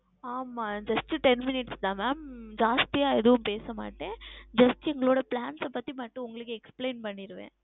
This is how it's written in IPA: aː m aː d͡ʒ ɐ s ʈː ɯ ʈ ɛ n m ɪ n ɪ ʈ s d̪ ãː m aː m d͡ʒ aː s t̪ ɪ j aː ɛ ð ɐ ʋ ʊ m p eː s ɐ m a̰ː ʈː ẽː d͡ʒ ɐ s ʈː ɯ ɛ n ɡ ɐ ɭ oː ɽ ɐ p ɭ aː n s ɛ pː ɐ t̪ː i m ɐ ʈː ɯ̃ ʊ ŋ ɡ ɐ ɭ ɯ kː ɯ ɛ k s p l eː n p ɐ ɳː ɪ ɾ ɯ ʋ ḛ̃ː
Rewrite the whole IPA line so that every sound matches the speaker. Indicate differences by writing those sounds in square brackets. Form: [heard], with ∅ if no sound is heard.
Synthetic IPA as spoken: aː m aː d͡ʒ ɐ s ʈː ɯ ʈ ɛ n m ɪ n ɪ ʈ s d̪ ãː m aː m d͡ʒ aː s t̪ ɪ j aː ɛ ð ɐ ʋ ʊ m p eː s ɐ m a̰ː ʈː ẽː d͡ʒ ɐ s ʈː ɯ ɛ [ŋ] ɡ ɐ ɭ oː ɽ ɐ p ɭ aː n s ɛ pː ɐ t̪ː i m ɐ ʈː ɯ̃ ʊ ŋ ɡ ɐ ɭ ɯ kː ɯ ɛ k s p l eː n p ɐ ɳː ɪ ɾ ɯ ʋ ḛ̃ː

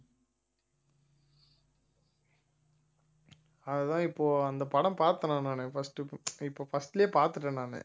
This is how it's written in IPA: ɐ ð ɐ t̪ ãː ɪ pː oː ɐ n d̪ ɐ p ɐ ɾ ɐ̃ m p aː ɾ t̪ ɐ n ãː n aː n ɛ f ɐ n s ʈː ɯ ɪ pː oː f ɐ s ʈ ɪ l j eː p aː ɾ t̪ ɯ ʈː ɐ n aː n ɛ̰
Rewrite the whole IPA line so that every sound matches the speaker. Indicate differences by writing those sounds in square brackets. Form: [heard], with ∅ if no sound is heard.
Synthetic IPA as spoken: ɐ ð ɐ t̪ ãː ɪ pː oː ɐ n d̪ ɐ p ɐ [ɽ] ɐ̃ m p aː ɾ t̪ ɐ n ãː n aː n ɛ f ɐ [∅] s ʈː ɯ ɪ pː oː f ɐ s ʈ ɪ l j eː p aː ɾ t̪ ɯ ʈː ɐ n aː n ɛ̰

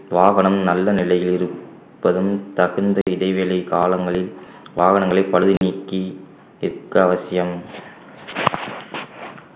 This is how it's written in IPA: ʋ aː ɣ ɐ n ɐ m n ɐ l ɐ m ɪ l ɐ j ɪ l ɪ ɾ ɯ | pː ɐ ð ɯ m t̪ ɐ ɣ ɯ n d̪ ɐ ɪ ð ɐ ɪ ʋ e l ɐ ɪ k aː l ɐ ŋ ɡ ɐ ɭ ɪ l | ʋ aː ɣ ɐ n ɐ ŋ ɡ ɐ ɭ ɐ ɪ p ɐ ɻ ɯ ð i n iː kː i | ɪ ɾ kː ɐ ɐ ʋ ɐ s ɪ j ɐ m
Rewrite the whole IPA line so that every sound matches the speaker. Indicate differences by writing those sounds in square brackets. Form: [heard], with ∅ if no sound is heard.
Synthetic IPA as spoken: ʋ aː ɣ ɐ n ɐ m n ɐ [lː] ɐ [n] ɪ l ɐ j ɪ l ɪ ɾ ɯ | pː ɐ ð ɯ m t̪ ɐ ɣ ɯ n d̪ ɐ ɪ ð ɐ ɪ ʋ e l ɐ ɪ k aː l ɐ ŋ ɡ ɐ ɭ ɪ l | ʋ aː ɣ ɐ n ɐ ŋ ɡ ɐ ɭ ɐ ɪ p ɐ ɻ ɯ ð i n iː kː i | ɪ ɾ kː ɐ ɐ ʋ ɐ s ɪ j ɐ m

